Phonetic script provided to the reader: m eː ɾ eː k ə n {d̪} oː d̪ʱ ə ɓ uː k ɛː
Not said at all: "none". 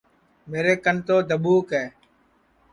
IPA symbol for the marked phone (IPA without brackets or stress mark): t̪